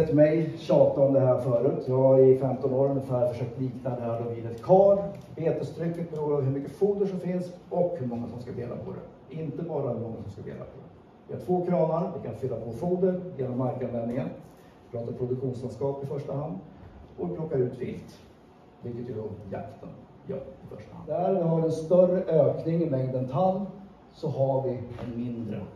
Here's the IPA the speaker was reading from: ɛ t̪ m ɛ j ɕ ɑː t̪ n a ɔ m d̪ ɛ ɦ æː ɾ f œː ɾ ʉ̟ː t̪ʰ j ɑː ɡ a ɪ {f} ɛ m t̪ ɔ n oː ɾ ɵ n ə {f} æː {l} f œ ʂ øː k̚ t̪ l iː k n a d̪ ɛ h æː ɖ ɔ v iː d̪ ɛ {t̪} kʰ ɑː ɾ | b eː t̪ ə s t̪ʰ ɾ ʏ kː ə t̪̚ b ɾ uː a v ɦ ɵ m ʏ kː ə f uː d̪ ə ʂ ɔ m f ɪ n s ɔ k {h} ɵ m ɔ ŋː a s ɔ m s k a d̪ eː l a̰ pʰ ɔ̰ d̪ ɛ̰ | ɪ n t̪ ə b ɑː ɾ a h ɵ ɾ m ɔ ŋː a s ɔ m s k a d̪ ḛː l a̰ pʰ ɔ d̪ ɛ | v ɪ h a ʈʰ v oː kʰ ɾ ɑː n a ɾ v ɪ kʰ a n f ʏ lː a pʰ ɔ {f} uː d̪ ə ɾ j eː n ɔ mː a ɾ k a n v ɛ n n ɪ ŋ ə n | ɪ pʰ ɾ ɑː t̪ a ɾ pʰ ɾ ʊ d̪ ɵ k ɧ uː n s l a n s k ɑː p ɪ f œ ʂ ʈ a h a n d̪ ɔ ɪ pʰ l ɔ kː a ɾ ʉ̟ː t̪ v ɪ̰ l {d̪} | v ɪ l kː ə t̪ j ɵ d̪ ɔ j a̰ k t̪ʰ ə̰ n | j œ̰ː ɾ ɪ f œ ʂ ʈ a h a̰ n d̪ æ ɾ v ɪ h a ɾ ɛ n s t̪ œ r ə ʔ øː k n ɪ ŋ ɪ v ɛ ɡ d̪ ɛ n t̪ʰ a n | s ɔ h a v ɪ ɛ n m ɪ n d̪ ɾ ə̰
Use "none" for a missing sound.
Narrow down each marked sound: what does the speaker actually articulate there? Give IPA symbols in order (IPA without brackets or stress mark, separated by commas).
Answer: f, f, ɾ, t̪, h, f, t̪